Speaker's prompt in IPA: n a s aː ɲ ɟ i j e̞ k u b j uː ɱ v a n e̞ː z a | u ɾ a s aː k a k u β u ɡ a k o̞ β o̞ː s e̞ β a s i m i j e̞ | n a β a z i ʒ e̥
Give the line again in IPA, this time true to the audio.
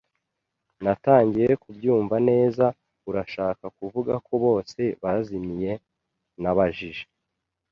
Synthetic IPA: n a t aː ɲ ɟ i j e̞ k u b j uː ɱ v a n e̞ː z a | u ɾ a ʃ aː k a k u v u ɡ a k o̞ β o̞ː s e̞ β a z i m i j e̞ | n a β a ʒ i ʒ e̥

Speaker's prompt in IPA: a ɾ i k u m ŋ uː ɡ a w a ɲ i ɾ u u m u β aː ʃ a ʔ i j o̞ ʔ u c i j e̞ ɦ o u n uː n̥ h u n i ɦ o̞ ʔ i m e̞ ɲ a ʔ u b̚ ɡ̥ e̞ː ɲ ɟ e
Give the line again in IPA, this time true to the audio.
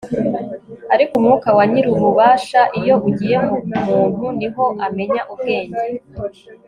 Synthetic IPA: a ɾ i k u m ŋ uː k a w a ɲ i ɾ u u m u β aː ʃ a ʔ i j o̞ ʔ u ɟ i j e̞ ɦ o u m uː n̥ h u n i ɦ o̞ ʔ a m e̞ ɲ a ʔ u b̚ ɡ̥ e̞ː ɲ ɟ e

